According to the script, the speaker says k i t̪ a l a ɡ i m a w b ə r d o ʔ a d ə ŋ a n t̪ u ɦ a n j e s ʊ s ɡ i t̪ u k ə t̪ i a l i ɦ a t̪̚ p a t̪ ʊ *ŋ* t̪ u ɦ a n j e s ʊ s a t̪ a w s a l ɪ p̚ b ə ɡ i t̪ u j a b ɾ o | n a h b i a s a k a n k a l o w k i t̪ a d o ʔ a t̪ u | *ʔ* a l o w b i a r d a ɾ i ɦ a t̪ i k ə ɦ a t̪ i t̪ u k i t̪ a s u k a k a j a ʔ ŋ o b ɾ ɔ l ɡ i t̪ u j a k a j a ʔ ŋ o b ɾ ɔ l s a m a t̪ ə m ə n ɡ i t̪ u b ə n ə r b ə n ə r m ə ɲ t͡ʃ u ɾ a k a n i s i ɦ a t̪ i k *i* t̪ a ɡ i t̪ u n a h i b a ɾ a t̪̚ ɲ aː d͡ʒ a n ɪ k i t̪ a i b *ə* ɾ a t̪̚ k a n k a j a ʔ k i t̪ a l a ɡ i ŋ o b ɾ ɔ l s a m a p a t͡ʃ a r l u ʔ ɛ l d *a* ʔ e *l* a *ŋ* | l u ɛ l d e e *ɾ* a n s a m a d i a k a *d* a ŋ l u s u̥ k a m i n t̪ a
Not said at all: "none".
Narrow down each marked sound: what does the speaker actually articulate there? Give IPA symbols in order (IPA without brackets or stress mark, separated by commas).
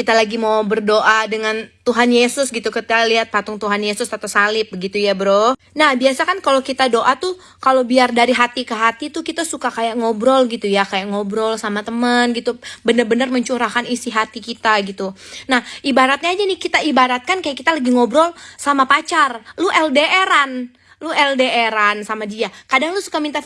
ŋ, k, i, a, e, ɾ, n, ɾ, d